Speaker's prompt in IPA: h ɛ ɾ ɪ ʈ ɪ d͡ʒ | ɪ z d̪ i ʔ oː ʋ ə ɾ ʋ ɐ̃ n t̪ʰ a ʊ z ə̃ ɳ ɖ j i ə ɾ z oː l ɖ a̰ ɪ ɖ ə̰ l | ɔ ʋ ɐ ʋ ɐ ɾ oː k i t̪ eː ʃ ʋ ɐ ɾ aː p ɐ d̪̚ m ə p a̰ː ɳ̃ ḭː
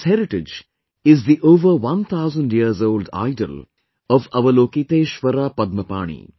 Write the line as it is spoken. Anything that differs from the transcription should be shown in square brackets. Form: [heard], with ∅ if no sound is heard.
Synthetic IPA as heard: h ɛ ɾ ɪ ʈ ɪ d͡ʒ | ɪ z d̪ i ʔ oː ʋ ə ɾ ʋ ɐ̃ n t̪ʰ a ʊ z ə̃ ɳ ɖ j i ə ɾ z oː l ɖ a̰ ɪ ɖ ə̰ l | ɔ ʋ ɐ ʋ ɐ [l] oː k i t̪ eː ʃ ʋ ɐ ɾ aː p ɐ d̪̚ m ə p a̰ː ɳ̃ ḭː